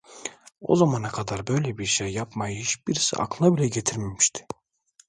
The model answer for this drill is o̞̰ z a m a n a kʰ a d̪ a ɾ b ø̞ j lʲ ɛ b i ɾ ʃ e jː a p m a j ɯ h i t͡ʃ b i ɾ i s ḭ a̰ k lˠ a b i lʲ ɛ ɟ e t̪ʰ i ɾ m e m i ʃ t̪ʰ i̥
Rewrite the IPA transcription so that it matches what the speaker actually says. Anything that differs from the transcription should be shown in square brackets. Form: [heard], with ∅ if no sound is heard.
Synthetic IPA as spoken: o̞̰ z a m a n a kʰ a d̪ a ɾ b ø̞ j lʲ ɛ b i ɾ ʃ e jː a p m a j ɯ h i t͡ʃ b i ɾ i s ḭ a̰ k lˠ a b i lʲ ɛ ɟ e t̪ʰ i ɾ m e m i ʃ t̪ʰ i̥